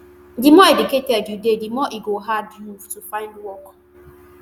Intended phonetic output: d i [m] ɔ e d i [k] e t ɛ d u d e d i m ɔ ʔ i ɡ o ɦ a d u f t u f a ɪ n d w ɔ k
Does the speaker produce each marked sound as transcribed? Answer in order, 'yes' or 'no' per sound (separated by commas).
yes, yes